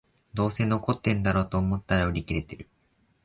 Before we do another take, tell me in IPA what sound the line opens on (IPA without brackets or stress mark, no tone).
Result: d̪